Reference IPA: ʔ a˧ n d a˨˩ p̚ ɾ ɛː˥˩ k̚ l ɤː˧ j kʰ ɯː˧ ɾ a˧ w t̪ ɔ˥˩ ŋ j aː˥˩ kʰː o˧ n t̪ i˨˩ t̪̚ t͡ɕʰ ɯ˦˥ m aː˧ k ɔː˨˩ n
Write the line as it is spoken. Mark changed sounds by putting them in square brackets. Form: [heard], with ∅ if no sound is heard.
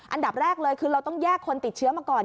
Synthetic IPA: ʔ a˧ n d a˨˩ p̚ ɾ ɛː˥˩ k̚ l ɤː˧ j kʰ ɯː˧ ɾ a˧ w t̪ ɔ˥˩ ŋ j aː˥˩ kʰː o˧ n t̪ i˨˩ t̪̚ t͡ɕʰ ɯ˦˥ m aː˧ k ɔː˨˩ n